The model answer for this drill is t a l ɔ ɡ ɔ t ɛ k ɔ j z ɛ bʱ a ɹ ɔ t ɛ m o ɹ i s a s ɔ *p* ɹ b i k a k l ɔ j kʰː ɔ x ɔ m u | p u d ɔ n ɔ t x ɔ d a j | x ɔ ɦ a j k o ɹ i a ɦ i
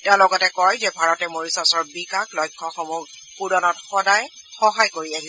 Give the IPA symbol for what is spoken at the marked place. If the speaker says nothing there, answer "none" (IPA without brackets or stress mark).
none